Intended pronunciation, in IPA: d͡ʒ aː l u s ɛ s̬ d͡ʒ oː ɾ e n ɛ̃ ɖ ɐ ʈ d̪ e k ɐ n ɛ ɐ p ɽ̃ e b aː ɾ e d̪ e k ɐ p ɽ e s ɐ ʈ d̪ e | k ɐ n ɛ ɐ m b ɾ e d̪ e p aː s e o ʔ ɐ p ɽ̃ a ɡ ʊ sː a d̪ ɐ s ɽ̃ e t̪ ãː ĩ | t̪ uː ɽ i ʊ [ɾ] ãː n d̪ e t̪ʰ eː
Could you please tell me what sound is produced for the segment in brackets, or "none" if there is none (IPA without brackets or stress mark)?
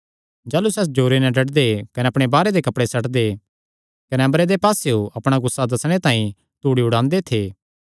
ɽ